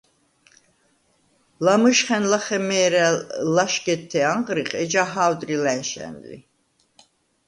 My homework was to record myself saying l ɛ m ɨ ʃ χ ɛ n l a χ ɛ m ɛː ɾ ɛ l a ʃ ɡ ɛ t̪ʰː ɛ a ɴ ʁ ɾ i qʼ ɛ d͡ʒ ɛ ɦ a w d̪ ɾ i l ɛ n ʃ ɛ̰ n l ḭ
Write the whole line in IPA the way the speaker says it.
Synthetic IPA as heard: l a m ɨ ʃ χ ɛ n l a χ ɛ m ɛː ɾ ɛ l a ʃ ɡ ɛ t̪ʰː ɛ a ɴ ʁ ɾ i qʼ ɛ d͡ʒ a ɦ a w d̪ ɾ i l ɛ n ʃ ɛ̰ n l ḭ